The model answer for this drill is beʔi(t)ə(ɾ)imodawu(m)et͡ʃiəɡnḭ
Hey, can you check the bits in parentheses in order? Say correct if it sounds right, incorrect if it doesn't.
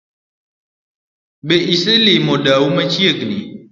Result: incorrect, incorrect, correct

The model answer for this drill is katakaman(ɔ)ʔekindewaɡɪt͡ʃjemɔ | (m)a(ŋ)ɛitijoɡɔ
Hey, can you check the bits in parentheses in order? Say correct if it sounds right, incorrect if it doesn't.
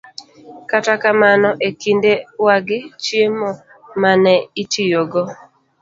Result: correct, correct, incorrect

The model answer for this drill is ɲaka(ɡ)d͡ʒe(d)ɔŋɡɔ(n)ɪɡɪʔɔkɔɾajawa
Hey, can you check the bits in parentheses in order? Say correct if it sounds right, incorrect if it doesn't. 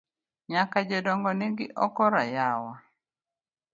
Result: incorrect, correct, correct

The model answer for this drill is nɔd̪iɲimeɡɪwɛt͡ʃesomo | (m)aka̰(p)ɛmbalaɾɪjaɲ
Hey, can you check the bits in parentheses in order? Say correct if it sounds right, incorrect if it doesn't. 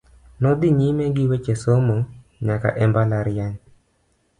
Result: incorrect, incorrect

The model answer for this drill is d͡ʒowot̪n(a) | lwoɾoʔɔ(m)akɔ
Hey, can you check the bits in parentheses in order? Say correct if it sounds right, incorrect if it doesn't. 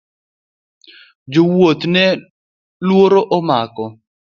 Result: incorrect, correct

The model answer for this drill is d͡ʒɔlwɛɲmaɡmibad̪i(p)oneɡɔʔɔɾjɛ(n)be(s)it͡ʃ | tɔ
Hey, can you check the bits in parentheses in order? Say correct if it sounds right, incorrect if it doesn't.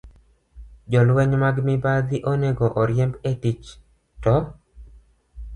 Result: incorrect, incorrect, incorrect

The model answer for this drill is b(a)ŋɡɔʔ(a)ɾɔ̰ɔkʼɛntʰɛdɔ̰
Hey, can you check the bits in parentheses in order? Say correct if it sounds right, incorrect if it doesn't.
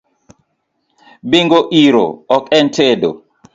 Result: incorrect, incorrect

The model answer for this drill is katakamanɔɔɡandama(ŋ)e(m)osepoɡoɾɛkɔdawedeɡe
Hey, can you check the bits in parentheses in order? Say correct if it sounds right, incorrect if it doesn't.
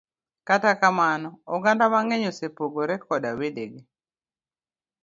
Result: correct, incorrect

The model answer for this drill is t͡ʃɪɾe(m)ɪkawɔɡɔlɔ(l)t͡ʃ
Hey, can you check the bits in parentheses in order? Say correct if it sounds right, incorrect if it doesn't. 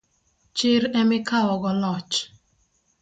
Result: correct, incorrect

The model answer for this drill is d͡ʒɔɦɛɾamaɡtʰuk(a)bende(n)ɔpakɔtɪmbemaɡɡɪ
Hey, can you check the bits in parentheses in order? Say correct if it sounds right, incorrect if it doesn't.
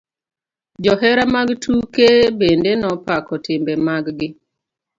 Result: incorrect, correct

